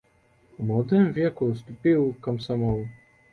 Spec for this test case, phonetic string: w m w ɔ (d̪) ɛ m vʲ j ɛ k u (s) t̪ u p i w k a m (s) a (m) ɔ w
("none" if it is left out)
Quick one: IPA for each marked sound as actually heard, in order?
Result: d̪, s, s, m

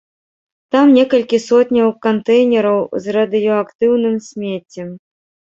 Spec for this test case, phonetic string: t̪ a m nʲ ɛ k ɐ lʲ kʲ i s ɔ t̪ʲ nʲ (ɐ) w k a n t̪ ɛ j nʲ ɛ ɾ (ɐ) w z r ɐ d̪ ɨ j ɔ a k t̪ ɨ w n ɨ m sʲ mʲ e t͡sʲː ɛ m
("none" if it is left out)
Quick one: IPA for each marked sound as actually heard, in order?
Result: ɐ, ɐ

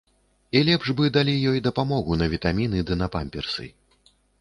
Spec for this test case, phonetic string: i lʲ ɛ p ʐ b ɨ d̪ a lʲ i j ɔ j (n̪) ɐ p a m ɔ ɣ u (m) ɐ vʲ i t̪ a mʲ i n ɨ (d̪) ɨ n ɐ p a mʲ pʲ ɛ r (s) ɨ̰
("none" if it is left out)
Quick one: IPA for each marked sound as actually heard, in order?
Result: d̪, n, d̪, s

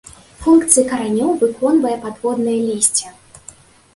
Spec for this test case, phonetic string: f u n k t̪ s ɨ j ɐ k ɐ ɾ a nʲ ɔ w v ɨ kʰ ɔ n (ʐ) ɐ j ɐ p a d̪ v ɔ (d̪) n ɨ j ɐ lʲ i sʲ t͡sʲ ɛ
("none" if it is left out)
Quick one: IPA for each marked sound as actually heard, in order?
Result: v, d̪

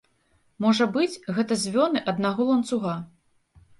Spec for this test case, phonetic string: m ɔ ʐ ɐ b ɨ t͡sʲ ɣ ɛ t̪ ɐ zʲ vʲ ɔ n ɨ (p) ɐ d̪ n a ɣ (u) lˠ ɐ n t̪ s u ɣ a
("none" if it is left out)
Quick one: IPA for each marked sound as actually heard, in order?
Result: ʔ, ɔ

